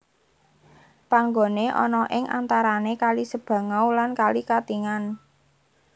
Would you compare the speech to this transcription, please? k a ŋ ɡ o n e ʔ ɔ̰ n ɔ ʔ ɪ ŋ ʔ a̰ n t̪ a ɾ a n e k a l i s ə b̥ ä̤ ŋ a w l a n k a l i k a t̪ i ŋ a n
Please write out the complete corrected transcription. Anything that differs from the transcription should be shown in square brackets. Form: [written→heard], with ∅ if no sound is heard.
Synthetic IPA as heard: [k→p] a ŋ ɡ o n e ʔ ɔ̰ n ɔ ʔ ɪ ŋ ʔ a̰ n t̪ a ɾ a n e k a l i s ə b̥ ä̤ ŋ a w l a n k a l i k a t̪ i ŋ a n